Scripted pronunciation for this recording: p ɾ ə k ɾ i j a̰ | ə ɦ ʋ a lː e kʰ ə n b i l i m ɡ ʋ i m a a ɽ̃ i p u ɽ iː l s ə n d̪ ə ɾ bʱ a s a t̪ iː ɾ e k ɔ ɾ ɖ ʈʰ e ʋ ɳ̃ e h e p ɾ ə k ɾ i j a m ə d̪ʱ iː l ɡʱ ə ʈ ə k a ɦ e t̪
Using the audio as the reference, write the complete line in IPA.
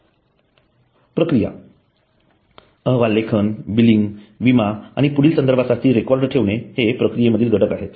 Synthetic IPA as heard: p ɾ ə k ɾ i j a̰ | ə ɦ ʋ a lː e kʰ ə n b i l i ŋ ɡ ʋ i m a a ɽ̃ i p u ɽ iː l s ə n d̪ ə ɾ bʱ a s a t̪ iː ɾ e k ɔ ɾ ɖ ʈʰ e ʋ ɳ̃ e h e p ɾ ə k ɾ i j e m ə d̪ʱ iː l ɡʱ ə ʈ ə k a ɦ e t̪